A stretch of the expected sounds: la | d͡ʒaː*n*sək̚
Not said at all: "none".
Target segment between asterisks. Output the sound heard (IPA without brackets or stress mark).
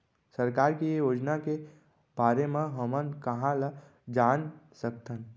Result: n